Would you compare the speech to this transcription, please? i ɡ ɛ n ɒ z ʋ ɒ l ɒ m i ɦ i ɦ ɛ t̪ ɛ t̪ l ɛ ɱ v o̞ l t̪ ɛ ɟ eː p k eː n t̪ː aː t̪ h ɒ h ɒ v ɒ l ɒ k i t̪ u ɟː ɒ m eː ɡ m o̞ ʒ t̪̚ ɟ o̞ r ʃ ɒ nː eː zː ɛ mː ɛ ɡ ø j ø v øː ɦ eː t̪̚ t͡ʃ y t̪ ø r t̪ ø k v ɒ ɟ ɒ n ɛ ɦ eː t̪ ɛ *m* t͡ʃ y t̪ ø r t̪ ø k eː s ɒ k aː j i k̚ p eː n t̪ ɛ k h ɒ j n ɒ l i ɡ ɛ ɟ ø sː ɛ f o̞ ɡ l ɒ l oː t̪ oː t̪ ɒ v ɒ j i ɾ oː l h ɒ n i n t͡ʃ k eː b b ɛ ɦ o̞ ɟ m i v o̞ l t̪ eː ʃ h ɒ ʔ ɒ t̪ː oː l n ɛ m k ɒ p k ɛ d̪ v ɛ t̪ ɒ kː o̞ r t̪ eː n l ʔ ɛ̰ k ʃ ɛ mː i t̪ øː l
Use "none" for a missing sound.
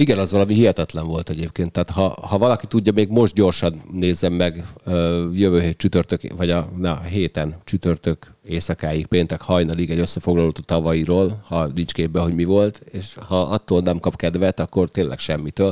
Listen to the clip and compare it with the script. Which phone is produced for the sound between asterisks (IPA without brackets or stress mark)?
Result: n